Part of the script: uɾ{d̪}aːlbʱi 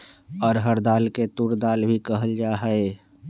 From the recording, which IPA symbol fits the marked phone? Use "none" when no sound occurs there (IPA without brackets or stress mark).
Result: d̪